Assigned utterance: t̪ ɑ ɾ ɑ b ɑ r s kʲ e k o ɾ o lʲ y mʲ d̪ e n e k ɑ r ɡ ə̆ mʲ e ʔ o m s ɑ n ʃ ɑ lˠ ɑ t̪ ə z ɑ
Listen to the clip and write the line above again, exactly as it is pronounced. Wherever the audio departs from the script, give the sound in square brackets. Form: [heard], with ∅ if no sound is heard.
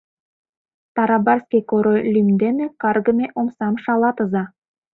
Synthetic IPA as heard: t̪ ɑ ɾ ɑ b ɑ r s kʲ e k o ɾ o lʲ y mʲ d̪ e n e k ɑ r ɡ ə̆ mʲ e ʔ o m s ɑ [m] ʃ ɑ lˠ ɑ t̪ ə z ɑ